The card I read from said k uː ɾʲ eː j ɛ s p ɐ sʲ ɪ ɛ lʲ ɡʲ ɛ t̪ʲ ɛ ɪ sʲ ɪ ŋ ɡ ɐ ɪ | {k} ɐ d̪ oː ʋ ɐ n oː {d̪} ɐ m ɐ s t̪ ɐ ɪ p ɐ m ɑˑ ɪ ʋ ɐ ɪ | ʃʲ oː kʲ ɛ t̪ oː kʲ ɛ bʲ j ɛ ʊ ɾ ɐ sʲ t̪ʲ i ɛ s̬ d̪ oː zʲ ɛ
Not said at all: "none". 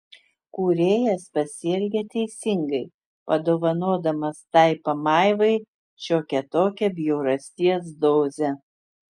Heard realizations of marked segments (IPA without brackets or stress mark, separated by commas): p, d̪